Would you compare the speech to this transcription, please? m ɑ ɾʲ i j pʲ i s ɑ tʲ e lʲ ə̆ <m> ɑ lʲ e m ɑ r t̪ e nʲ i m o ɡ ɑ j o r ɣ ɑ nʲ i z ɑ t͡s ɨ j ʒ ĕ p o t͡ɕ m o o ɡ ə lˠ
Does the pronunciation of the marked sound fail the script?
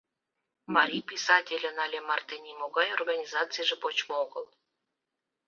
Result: yes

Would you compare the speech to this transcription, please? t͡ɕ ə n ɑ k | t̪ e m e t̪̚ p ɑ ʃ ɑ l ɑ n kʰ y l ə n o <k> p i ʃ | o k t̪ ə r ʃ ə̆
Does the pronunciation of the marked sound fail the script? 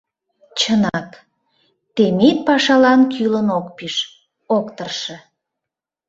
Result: no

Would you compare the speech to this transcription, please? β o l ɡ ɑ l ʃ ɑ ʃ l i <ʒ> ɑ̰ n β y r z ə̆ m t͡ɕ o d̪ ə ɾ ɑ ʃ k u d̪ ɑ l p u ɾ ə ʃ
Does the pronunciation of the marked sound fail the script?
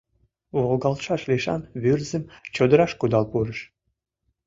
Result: yes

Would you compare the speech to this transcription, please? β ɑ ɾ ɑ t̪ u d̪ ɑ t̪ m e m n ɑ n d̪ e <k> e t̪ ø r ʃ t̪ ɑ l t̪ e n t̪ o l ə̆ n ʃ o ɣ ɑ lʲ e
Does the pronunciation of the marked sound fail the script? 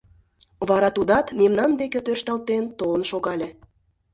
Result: no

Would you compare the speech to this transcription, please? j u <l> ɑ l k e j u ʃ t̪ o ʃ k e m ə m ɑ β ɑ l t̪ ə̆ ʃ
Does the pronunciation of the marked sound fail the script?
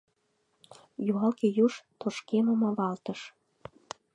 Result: yes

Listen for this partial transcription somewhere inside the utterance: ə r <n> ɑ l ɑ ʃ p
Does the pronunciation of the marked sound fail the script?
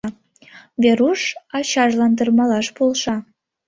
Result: yes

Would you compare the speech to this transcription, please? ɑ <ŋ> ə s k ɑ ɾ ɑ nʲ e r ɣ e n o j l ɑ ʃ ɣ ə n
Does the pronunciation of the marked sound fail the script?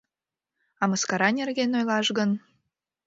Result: yes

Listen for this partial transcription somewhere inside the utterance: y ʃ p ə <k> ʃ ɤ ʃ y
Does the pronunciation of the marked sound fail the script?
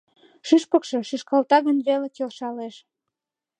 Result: no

